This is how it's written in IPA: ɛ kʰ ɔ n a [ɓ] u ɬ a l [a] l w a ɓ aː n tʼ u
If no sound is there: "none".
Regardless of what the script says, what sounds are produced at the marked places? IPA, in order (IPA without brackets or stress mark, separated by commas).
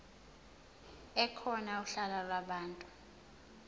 none, a